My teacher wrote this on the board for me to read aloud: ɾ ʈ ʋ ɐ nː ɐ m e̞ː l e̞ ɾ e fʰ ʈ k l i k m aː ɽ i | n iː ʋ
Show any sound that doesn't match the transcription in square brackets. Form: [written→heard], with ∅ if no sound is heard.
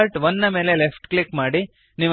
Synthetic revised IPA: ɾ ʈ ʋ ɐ nː ɐ m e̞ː l e̞ [ɾ→l] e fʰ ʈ k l i k m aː ɽ i | n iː ʋ